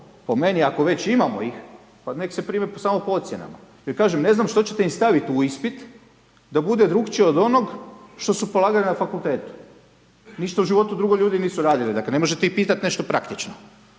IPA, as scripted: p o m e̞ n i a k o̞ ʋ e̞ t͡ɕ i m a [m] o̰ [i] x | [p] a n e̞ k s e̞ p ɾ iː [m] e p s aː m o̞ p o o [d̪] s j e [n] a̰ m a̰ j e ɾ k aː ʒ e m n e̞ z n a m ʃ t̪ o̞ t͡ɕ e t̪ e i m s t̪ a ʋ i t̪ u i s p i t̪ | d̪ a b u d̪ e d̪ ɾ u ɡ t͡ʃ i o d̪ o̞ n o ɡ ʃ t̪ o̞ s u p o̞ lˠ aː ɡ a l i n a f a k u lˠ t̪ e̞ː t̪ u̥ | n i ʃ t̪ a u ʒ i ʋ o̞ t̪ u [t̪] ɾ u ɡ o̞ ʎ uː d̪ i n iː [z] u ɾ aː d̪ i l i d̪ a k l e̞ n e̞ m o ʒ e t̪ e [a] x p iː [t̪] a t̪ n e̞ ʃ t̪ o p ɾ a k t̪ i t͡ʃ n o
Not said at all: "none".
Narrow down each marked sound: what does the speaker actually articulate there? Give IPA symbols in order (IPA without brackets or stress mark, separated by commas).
m, i, p, m, t̪, n, d̪, s, i, t̪